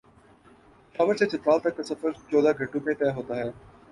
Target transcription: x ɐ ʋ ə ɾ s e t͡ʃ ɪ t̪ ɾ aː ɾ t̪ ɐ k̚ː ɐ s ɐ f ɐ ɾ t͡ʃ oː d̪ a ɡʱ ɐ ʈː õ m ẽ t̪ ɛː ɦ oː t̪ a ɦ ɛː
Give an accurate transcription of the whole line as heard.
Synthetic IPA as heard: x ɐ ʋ ə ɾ s e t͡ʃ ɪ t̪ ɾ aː l t̪ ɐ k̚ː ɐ s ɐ f ə ɾ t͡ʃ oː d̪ a ɡʱ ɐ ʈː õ m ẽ t̪ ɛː ɦ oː t̪ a ɦ ɛː